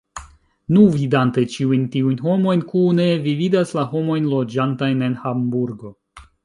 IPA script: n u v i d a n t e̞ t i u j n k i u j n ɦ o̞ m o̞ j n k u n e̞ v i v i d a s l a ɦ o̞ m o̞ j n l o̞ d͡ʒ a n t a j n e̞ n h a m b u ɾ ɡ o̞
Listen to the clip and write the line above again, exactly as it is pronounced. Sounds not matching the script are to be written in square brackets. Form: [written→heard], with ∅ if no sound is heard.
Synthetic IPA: n u v i d a n t e̞ [t→t͡ʃ] i u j n [k→t] i u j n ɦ o̞ m o̞ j n k u n e̞ v i v i d a s l a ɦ o̞ m o̞ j n l o̞ d͡ʒ a n t a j n e̞ n h a m b u ɾ ɡ o̞